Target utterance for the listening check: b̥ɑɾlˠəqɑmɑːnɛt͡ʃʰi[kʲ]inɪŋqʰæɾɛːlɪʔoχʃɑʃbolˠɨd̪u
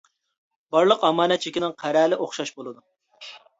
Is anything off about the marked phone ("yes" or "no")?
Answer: no